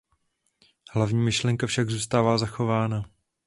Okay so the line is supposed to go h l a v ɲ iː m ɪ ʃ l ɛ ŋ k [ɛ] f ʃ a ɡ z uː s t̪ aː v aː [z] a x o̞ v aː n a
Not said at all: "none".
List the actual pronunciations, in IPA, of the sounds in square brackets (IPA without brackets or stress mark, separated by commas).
a, z